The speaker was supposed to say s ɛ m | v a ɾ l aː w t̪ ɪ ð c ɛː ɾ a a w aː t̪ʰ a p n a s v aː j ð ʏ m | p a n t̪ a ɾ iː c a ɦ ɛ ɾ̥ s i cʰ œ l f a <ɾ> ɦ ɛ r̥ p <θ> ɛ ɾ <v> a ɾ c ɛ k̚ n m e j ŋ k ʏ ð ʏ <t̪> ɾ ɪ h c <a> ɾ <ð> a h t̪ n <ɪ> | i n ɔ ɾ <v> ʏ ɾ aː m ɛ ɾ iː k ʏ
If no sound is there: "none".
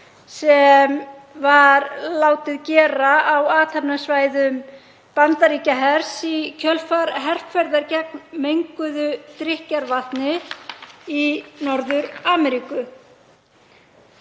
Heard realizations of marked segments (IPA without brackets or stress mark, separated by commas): ɾ, f, ð, t̪, a, v, ɪ, ð